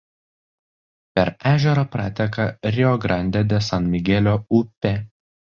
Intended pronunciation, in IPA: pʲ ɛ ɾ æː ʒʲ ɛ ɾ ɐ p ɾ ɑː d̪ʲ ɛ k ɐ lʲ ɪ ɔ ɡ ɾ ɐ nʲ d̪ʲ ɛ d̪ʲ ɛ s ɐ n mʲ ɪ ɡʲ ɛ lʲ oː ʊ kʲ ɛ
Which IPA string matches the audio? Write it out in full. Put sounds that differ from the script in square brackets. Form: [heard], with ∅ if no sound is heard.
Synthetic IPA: pʲ ɛ ɾ æː ʒʲ ɛ ɾ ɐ p ɾ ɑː [t̪ʲ] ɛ k ɐ [ɾʲ] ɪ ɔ ɡ ɾ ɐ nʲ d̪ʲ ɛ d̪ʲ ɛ s ɐ n mʲ ɪ ɡʲ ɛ lʲ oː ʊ [pʲ] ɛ

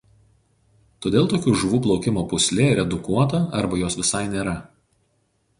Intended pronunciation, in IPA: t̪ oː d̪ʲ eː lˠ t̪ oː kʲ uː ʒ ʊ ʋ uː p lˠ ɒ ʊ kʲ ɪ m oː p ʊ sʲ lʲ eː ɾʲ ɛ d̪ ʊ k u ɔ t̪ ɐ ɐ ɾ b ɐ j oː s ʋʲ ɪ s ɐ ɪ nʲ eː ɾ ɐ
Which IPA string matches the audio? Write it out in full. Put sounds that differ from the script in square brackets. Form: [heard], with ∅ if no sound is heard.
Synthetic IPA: t̪ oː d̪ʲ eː lˠ t̪ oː kʲ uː ʒ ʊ ʋ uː p lˠ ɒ ʊ kʲ ɪ m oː p ʊ sʲ lʲ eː ɾʲ ɛ d̪ ʊ k u ɔ t̪ ɐ ɐ ɾ b ɐ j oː s ʋʲ ɪ s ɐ ɪ nʲ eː ɾ ɐ

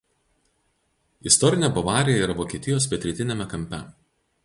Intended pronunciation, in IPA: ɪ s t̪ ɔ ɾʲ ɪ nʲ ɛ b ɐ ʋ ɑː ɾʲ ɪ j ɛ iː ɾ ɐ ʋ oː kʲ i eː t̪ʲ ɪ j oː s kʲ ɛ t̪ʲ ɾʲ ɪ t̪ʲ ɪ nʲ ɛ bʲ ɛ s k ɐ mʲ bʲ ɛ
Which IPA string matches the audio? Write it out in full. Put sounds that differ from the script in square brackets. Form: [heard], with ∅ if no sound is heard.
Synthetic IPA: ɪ s t̪ ɔ ɾʲ ɪ nʲ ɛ b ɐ ʋ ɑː ɾʲ ɪ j ɛ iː ɾ ɐ ʋ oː kʲ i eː t̪ʲ ɪ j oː s [pʲ] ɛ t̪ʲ ɾʲ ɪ t̪ʲ ɪ nʲ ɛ [mʲ] ɛ [∅] k ɐ mʲ [pʲ] ɛ

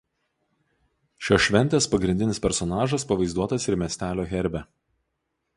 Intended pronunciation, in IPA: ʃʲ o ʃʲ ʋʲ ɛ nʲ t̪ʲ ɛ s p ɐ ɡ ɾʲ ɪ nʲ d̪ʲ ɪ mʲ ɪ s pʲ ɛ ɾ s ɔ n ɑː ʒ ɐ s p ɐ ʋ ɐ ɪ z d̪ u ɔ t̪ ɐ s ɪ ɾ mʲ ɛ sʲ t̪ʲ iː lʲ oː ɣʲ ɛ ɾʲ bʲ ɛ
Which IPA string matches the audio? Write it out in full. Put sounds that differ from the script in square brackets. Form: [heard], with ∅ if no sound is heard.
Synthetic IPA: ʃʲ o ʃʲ ʋʲ ɛ nʲ t̪ʲ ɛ s p ɐ ɡ ɾʲ ɪ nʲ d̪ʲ ɪ [nʲ] ɪ s pʲ ɛ ɾ s ɔ n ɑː ʒ ɐ s p ɐ ʋ ɐ ɪ z d̪ u ɔ t̪ ɐ s ɪ ɾ mʲ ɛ sʲ t̪ʲ [æː] lʲ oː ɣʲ ɛ ɾʲ bʲ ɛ

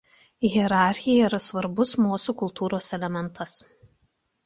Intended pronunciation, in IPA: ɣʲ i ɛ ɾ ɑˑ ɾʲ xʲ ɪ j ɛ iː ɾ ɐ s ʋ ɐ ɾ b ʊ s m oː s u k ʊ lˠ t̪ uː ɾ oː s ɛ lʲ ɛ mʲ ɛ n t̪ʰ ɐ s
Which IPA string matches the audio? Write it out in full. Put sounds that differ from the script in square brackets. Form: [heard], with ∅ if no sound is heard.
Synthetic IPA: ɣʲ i ɛ ɾ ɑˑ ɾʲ xʲ ɪ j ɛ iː ɾ ɐ s ʋ ɐ ɾ b ʊ s m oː s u k ʊ lˠ t̪ uː ɾ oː s ɛ lʲ ɛ mʲ ɛ n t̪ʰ ɐ s

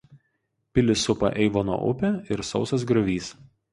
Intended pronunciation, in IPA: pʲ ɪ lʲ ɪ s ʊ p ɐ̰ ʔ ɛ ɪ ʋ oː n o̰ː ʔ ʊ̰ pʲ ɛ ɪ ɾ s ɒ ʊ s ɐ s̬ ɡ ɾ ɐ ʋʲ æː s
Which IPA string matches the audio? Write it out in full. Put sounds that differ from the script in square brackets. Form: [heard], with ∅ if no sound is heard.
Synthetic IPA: pʲ ɪ lʲ ɪ s ʊ p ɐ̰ ʔ ɛ ɪ ʋ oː n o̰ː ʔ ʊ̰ pʲ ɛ ɪ ɾ s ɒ ʊ s ɐ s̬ ɡ ɾ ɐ ʋʲ [iː] s

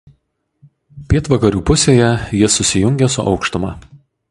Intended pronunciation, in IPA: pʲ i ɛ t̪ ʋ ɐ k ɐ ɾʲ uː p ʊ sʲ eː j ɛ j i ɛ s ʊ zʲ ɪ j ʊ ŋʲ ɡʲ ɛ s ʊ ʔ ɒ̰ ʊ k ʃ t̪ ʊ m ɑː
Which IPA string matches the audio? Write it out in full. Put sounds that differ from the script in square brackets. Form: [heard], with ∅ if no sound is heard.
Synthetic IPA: pʲ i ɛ t̪ ʋ ɐ k ɐ ɾʲ uː p ʊ sʲ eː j ɛ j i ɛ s ʊ [sʲ] ɪ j ʊ ŋʲ ɡʲ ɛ s ʊ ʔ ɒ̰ ʊ k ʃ t̪ ʊ m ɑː

